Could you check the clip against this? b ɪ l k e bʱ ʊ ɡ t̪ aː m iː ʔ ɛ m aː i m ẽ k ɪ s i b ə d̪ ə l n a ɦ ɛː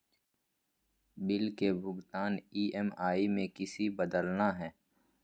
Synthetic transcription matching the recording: b ɪ l k e bʱ ʊ ɡ t̪ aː n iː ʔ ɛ m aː i m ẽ k ɪ s i b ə d̪ ə l n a ɦ ɛː